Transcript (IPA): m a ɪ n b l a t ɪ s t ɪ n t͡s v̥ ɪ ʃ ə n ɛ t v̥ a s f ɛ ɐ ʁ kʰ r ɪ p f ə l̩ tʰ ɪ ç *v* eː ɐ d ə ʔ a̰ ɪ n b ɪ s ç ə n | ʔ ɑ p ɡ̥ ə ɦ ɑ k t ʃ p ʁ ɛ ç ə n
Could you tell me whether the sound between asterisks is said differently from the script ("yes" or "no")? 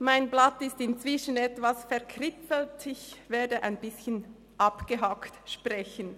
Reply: no